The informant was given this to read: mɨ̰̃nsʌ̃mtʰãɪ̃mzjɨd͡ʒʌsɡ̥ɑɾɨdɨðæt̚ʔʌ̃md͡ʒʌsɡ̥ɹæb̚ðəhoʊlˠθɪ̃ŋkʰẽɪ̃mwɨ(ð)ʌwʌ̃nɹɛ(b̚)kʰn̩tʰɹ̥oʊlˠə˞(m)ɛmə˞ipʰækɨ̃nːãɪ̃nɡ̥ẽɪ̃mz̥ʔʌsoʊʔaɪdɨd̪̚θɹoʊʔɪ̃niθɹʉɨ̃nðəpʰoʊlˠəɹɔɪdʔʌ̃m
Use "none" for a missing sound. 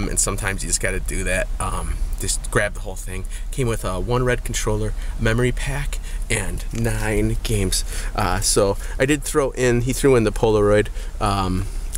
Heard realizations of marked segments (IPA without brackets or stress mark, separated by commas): ð, d̚, m